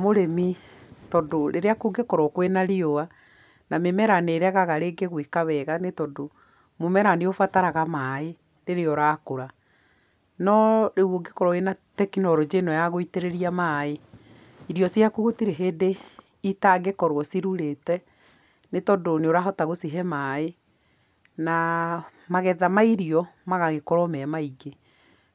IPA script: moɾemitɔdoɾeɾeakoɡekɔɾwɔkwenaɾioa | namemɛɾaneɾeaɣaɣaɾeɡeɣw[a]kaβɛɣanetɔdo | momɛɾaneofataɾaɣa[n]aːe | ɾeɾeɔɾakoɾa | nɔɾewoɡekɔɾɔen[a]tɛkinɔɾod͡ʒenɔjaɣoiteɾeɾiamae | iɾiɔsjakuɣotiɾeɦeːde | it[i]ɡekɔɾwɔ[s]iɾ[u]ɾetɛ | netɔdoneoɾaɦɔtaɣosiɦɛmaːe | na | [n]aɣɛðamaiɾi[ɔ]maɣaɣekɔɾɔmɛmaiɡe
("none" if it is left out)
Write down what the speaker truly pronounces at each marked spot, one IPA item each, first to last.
e, m, a, a, s, u, m, ɔ

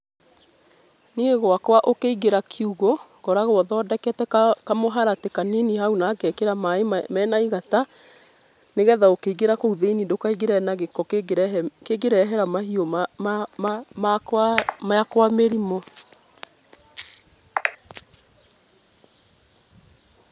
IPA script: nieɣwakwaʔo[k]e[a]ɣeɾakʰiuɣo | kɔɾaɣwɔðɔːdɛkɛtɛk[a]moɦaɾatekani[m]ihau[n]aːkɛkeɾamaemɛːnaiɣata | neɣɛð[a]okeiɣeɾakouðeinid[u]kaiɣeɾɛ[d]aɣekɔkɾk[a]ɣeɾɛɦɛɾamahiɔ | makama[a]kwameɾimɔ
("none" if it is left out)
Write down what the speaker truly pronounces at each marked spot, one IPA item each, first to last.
k, i, a, n, n, a, o, n, e, a

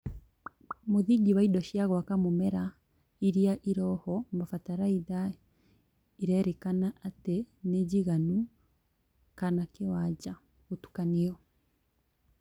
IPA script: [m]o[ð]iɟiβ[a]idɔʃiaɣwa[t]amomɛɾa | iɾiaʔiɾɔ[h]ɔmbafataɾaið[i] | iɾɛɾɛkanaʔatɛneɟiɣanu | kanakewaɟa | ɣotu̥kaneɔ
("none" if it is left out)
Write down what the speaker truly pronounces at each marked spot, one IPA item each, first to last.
m, ð, a, k, h, a

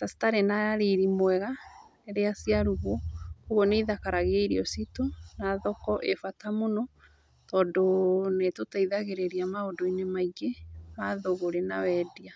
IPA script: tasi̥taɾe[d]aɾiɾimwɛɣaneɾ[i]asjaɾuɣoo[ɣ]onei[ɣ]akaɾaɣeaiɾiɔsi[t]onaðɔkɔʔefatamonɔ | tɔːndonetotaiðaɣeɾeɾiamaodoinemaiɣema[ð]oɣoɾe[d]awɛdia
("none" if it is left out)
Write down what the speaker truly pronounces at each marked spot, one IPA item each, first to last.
n, e, ɣ, ð, t, ð, n

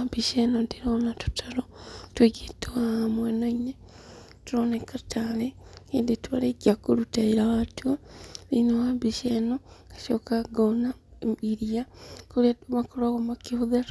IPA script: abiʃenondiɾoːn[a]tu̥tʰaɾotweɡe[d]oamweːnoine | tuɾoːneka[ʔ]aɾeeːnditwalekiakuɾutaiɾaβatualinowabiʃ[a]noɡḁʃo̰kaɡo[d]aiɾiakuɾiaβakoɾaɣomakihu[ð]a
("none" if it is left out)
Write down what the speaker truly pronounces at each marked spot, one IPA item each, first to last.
a, t, t, e, n, ð

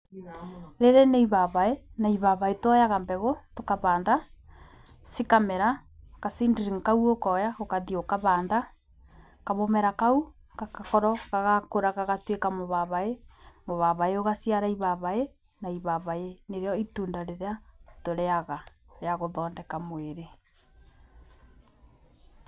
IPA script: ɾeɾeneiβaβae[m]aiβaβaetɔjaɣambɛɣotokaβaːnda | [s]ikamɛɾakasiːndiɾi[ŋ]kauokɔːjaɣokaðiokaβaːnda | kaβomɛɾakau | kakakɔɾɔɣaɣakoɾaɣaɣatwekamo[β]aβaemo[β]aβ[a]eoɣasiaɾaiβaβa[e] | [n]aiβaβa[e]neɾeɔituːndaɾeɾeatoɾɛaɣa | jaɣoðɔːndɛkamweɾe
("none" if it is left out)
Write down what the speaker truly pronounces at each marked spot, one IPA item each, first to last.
n, s, ŋ, β, β, a, e, n, e

